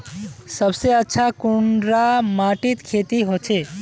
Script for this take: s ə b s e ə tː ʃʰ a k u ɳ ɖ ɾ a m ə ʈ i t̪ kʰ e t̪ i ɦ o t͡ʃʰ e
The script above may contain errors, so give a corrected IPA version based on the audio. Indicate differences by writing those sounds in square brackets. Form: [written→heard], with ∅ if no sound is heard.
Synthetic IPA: s ə b s e ə tː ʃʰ a k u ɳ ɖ ɾ a m [ə→a] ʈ i t̪ kʰ e t̪ i ɦ o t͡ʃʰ e